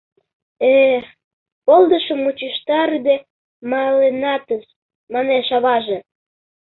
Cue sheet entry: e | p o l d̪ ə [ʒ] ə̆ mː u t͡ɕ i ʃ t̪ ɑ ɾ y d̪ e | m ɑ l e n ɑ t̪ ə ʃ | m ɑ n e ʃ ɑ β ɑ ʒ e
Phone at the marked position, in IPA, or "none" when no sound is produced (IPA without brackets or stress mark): ʃ